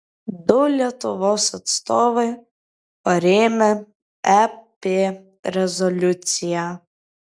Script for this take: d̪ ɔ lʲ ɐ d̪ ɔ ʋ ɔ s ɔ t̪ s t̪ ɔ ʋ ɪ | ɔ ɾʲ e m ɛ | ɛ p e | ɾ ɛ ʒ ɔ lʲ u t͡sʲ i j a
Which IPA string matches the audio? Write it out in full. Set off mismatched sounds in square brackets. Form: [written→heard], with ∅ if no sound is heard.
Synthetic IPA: d̪ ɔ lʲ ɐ [d̪→t̪] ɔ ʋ ɔ s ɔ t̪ s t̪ ɔ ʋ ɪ | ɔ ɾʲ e m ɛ | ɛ p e | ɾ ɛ [ʒ→z] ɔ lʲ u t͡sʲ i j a

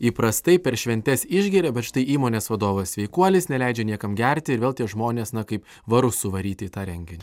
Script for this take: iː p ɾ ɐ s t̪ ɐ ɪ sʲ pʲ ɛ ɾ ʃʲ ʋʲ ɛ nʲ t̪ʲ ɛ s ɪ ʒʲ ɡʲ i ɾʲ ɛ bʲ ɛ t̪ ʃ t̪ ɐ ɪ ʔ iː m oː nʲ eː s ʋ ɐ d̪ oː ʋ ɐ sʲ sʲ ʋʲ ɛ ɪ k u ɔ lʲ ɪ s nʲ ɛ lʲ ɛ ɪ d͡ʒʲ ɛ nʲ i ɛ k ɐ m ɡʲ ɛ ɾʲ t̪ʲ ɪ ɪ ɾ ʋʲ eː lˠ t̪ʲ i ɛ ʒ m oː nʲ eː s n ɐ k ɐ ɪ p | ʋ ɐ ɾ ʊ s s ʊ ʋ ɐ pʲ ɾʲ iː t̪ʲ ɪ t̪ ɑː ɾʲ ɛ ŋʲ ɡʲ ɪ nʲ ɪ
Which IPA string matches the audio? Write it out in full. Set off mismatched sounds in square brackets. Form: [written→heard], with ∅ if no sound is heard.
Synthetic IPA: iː p ɾ ɐ s t̪ ɐ ɪ [sʲ→∅] pʲ ɛ ɾ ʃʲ ʋʲ ɛ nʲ t̪ʲ ɛ s ɪ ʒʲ ɡʲ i ɾʲ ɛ bʲ ɛ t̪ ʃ t̪ ɐ ɪ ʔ iː m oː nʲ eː s ʋ ɐ d̪ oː ʋ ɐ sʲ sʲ ʋʲ ɛ ɪ k u ɔ lʲ ɪ s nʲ ɛ lʲ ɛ ɪ d͡ʒʲ ɛ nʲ i ɛ k ɐ m ɡʲ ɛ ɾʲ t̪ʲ ɪ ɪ ɾ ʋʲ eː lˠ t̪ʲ i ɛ ʒ m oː nʲ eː s n ɐ k ɐ ɪ p | ʋ ɐ ɾ ʊ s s ʊ ʋ ɐ [pʲ→∅] ɾʲ iː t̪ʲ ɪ t̪ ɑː ɾʲ ɛ ŋʲ ɡʲ ɪ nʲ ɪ

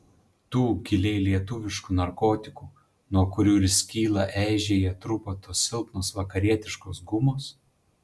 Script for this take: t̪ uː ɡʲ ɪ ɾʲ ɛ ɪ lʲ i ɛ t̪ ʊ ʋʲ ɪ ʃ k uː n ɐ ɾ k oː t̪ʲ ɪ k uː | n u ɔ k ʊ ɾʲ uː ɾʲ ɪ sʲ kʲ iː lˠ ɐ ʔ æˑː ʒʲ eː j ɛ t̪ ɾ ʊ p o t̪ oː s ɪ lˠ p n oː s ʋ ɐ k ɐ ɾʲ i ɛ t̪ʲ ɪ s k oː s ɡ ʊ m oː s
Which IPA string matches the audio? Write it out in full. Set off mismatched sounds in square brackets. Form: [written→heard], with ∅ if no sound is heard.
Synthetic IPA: t̪ uː ɡʲ ɪ [ɾʲ→lʲ] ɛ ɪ lʲ i ɛ t̪ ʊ ʋʲ ɪ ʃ k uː n ɐ ɾ k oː t̪ʲ ɪ k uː | n u ɔ k ʊ ɾʲ uː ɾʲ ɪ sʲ kʲ iː lˠ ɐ ʔ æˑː ʒʲ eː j ɛ t̪ ɾ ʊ p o t̪ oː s ɪ lˠ p n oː s ʋ ɐ k ɐ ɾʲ i ɛ t̪ʲ ɪ [s→ʃ] k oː s ɡ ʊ m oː s

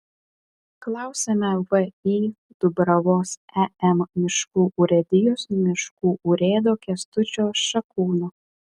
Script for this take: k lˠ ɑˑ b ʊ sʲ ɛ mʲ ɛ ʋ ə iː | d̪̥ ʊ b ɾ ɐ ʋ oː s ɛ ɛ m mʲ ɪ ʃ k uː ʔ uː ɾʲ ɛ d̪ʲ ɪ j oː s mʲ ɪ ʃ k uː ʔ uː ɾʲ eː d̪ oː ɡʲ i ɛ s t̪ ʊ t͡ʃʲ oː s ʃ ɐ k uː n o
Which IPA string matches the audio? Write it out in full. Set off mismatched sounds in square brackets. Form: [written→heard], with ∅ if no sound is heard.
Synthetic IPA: k lˠ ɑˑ [b→∅] ʊ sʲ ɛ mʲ ɛ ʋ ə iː | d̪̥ ʊ b ɾ ɐ ʋ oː s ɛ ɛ m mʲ ɪ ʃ k uː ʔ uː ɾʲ ɛ d̪ʲ ɪ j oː s mʲ ɪ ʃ k uː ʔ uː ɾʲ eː d̪ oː [ɡʲ→kʲ] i ɛ s t̪ ʊ t͡ʃʲ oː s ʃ ɐ k uː n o

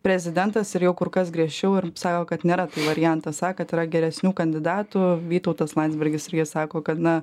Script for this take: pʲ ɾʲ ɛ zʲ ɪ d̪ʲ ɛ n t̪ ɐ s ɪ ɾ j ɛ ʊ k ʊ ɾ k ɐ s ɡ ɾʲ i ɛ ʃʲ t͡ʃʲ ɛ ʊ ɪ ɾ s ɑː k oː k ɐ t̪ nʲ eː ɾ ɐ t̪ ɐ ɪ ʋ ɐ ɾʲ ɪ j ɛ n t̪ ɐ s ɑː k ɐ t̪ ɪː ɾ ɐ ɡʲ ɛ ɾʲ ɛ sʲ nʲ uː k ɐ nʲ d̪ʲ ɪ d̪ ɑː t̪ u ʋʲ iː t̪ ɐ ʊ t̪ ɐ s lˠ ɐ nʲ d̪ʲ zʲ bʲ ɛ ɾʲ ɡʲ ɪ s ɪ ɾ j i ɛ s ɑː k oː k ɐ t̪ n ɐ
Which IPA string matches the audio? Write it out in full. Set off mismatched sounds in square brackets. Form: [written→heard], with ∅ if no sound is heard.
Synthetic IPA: pʲ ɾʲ ɛ zʲ ɪ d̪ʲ ɛ n t̪ ɐ s ɪ ɾ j ɛ ʊ k ʊ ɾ k ɐ s ɡ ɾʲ i ɛ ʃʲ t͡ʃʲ ɛ ʊ ɪ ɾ s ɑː k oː k ɐ t̪ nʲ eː ɾ ɐ t̪ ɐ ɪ ʋ ɐ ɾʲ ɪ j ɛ n t̪ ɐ s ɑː k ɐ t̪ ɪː ɾ ɐ ɡʲ ɛ ɾʲ ɛ sʲ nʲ uː k ɐ nʲ d̪ʲ ɪ d̪ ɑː t̪ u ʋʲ iː t̪ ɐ ʊ t̪ ɐ s lˠ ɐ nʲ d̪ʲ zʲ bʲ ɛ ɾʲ ɡʲ ɪ s ɪ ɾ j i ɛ s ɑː k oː k ɐ t̪ n ɐ

